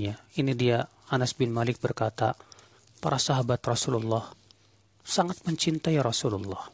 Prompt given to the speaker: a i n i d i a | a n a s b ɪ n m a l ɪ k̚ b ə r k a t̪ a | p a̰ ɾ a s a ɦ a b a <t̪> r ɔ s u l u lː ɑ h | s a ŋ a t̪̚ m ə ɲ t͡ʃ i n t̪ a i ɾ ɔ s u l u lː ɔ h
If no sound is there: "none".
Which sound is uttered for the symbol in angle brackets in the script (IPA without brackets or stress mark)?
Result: t̪